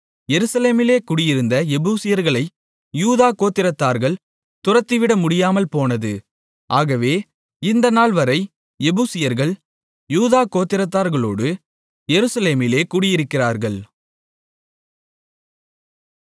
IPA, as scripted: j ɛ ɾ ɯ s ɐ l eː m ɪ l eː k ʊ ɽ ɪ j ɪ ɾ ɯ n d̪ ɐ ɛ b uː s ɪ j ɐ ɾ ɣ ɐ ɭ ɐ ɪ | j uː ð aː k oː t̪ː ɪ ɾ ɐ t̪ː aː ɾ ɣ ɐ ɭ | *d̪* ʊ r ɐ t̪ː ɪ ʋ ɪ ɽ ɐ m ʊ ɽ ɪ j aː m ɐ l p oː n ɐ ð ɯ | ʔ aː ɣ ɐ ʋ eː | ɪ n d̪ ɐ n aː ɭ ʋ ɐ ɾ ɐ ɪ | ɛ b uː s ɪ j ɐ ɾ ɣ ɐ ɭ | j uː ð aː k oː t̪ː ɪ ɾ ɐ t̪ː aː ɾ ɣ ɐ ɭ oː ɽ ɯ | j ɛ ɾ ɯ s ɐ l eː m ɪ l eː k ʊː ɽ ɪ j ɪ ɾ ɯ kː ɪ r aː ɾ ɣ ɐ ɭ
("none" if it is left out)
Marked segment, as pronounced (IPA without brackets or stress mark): t̪